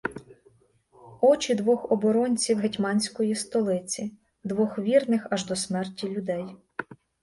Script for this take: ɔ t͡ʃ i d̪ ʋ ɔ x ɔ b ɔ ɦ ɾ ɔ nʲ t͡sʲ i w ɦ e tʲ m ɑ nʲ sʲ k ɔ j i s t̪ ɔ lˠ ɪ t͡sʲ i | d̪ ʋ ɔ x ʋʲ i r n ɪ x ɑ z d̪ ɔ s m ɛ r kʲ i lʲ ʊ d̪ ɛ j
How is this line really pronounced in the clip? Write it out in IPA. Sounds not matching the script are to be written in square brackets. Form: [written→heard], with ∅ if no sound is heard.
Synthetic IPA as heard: ɔ t͡ʃ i d̪ ʋ ɔ x ɔ b ɔ [ɦ→∅] ɾ ɔ nʲ t͡sʲ i w ɦ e tʲ m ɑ nʲ sʲ k ɔ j i s t̪ ɔ lˠ ɪ t͡sʲ i | d̪ ʋ ɔ x ʋʲ i r n ɪ x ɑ [z→ʒ] d̪ ɔ s m ɛ r [kʲ→tʲ] i lʲ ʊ d̪ ɛ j

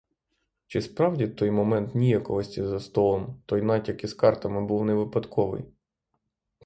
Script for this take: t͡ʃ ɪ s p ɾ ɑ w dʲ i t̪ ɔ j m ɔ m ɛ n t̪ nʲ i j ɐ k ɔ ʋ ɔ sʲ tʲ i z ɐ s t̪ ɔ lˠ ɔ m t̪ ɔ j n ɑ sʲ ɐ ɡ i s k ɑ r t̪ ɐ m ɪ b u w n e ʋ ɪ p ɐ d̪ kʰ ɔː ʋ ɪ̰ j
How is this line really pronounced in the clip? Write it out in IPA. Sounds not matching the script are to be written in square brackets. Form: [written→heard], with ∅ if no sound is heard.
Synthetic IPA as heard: t͡ʃ ɪ s p ɾ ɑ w dʲ i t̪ ɔ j m ɔ m ɛ n t̪ nʲ i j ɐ k ɔ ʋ ɔ sʲ tʲ i z ɐ s t̪ ɔ lˠ ɔ m t̪ ɔ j n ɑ [sʲ→tʲ] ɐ [ɡ→k] i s k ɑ r t̪ ɐ m ɪ b u w n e ʋ ɪ p ɐ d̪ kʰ [ɔː→ɔ] ʋ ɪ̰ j

